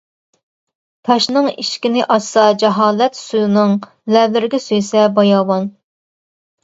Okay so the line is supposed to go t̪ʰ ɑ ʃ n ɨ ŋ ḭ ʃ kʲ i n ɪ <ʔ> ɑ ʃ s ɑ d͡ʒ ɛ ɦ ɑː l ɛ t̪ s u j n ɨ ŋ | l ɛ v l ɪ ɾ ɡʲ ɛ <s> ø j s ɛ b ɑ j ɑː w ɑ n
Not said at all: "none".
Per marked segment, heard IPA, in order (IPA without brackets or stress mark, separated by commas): ʔ, s